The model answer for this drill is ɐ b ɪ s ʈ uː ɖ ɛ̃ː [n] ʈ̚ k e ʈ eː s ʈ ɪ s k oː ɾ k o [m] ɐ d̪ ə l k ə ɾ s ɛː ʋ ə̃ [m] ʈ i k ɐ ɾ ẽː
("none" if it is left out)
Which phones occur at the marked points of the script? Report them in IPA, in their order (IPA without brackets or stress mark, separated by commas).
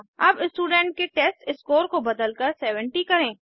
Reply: ɳ, b, ɳ